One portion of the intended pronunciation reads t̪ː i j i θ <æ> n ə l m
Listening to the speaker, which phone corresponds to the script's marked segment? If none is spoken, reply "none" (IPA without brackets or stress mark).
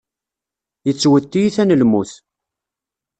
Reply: æ